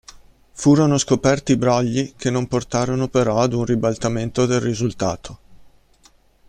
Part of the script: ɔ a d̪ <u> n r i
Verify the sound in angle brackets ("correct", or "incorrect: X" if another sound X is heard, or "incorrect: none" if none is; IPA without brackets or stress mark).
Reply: correct